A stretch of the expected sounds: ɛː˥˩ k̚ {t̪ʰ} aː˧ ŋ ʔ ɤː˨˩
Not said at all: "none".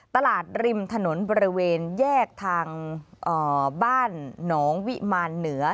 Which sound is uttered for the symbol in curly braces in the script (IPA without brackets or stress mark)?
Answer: t̪ʰ